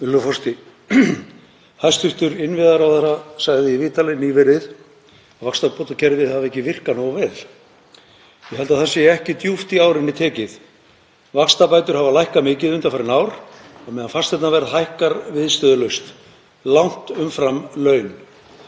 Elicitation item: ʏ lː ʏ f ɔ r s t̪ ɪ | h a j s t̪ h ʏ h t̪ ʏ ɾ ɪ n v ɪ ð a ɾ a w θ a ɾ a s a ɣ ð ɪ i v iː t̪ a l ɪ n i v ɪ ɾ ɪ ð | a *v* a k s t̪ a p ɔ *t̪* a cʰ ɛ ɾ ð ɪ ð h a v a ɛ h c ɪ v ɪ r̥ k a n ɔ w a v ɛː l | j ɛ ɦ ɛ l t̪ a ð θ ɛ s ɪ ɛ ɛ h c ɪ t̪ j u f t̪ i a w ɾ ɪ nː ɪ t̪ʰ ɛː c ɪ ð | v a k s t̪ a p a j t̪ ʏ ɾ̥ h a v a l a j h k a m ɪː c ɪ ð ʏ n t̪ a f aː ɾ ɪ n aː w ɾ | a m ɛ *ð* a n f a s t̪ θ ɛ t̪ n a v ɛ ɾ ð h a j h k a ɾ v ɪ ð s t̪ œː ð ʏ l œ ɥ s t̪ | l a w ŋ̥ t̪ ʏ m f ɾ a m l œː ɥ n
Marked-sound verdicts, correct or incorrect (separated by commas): correct, correct, correct